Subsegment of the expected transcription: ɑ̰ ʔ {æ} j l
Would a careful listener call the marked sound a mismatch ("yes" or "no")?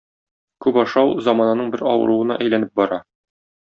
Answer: no